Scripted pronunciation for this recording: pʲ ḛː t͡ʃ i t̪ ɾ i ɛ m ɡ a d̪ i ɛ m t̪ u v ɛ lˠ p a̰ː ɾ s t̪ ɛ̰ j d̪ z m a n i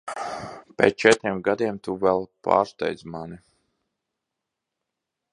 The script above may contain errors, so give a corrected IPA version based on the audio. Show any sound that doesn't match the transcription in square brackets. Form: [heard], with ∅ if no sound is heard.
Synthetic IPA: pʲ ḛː t͡ʃ [ɛ] t̪ ɾ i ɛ m ɡ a d̪ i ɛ m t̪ u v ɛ lˠ p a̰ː ɾ s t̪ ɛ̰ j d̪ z m a n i